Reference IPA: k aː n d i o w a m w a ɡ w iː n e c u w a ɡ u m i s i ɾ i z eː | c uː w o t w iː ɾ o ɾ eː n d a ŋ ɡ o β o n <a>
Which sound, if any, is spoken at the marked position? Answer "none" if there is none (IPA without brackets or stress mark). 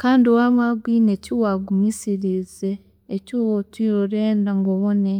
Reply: e